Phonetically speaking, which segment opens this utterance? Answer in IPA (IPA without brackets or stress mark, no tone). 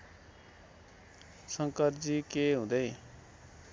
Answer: s